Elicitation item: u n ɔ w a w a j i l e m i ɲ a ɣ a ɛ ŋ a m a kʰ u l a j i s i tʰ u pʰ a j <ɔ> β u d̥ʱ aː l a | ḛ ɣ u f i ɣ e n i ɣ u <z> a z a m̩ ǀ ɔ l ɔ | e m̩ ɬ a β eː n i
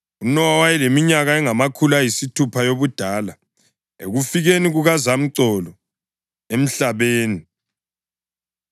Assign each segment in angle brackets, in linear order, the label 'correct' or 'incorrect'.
incorrect, incorrect

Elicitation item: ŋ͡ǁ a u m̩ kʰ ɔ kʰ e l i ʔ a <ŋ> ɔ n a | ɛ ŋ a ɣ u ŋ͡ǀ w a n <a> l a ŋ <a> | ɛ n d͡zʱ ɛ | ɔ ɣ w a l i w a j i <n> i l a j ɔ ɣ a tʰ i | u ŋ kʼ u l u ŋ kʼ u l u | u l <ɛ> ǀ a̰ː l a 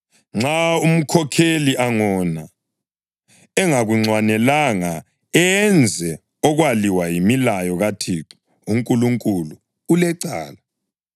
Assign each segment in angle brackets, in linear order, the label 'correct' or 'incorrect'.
correct, incorrect, correct, incorrect, correct

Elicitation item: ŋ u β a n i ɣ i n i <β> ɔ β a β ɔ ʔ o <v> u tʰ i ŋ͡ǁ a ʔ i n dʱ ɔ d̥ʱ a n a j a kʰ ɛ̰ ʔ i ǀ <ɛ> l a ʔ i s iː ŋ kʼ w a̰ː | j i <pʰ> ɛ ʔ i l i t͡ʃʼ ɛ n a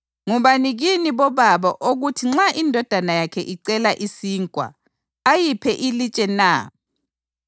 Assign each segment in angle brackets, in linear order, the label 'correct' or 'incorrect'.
correct, incorrect, correct, correct

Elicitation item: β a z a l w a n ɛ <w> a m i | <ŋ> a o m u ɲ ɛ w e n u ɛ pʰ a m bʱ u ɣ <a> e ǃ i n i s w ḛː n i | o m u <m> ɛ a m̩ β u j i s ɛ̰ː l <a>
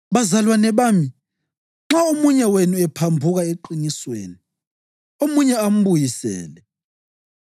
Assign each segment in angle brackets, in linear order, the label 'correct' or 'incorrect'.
incorrect, incorrect, correct, incorrect, incorrect

